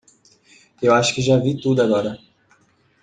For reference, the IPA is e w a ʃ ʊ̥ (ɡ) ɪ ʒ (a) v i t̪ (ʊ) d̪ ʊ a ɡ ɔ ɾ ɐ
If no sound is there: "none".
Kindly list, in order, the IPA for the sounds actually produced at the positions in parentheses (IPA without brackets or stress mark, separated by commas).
k, a, u